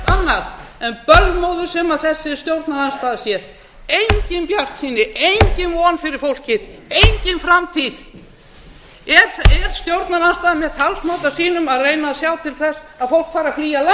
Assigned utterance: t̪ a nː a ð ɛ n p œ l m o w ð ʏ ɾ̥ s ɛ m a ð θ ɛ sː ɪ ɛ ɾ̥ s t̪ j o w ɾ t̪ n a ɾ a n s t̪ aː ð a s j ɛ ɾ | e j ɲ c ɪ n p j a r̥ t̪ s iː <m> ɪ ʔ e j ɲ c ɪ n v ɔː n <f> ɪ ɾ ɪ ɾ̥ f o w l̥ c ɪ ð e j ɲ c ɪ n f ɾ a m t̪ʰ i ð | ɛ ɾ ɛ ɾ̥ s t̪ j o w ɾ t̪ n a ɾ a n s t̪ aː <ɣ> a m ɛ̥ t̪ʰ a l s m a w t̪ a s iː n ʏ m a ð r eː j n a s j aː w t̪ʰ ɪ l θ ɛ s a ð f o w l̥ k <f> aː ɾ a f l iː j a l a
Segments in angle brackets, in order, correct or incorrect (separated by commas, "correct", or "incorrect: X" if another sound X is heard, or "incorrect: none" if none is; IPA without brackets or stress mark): incorrect: n, correct, incorrect: ð, correct